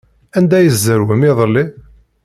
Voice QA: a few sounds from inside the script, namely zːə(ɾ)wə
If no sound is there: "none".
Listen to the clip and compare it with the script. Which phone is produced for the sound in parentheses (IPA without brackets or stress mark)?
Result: ɾ